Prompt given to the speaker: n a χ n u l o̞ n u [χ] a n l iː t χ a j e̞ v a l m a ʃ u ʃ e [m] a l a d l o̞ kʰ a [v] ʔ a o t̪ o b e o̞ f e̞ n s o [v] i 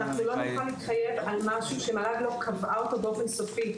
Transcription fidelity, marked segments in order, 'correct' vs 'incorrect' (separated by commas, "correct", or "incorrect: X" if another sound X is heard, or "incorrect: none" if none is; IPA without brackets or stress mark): correct, correct, correct, incorrect: f